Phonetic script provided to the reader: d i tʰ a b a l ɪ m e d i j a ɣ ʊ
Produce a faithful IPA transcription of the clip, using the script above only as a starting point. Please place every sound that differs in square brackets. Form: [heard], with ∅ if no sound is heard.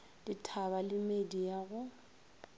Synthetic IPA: d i tʰ a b a l ɪ m e d i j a ɣ ʊ